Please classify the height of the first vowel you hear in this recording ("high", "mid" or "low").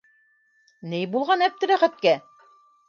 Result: mid